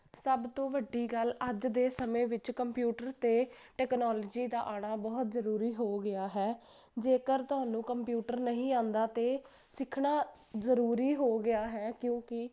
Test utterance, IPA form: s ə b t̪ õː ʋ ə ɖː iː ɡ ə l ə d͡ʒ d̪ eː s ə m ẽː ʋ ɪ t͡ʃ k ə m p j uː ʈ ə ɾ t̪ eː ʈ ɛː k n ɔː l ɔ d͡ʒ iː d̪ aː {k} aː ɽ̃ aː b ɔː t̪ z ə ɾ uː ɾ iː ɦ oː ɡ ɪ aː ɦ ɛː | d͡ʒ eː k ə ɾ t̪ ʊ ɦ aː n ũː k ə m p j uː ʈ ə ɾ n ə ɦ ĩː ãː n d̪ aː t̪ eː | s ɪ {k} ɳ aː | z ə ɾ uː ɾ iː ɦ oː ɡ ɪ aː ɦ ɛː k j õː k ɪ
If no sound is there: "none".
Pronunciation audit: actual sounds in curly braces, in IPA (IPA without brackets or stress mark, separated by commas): ʔ, kʰ